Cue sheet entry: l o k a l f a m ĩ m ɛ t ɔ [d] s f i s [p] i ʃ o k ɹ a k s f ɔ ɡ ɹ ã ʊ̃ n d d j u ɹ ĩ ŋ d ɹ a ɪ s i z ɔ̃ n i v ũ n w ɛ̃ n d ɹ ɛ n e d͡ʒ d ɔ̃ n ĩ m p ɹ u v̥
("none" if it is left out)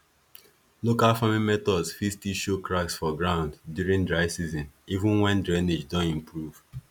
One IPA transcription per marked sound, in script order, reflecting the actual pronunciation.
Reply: d, t

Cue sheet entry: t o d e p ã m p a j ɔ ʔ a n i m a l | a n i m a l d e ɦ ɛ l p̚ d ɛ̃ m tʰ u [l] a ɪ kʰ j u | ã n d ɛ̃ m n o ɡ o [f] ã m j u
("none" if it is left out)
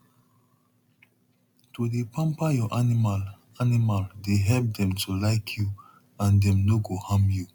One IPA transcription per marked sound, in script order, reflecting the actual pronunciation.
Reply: l, h

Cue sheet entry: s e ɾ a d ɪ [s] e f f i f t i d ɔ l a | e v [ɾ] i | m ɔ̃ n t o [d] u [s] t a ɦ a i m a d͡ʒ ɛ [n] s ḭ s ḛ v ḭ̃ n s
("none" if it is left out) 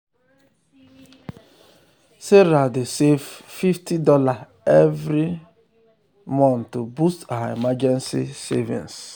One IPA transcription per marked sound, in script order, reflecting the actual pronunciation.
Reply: s, ɾ, b, s, n

